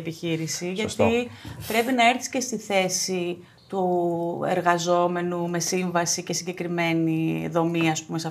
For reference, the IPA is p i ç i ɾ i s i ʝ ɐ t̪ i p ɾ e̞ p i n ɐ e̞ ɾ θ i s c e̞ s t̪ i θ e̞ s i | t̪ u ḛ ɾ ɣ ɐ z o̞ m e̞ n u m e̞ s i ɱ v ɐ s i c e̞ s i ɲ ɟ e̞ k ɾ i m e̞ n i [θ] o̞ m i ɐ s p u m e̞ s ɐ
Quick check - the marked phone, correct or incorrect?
incorrect